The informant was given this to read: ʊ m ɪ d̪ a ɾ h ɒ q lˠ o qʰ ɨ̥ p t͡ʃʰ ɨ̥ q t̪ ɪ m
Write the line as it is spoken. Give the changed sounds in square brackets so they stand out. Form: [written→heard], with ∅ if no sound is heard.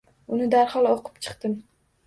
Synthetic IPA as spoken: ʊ [m→n] ɪ d̪ a ɾ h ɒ [q→∅] lˠ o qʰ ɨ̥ p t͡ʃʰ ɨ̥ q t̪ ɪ m